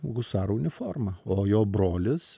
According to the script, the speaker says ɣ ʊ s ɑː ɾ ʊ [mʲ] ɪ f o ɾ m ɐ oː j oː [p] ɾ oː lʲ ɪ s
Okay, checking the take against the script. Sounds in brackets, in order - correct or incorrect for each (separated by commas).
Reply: incorrect, incorrect